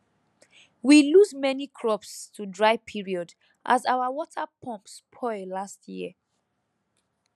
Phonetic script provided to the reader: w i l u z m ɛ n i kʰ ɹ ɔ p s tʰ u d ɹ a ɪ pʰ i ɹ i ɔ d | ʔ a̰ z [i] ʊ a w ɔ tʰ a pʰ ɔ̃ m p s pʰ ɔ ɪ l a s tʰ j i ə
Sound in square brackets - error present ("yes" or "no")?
yes